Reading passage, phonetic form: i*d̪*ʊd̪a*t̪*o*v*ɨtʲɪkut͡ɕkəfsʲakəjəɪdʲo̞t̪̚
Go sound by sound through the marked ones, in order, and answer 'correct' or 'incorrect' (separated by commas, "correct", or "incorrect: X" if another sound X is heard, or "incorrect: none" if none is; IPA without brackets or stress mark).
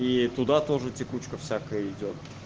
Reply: incorrect: t̪, correct, incorrect: ʐ